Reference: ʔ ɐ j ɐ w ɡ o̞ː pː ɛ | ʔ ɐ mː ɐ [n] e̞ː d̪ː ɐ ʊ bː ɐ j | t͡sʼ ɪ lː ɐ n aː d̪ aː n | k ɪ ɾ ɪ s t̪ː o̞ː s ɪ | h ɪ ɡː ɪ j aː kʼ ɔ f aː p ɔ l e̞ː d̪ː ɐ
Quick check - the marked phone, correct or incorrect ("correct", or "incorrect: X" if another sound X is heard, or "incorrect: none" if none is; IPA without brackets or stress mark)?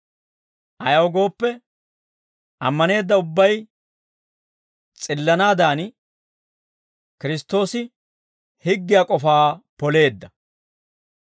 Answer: correct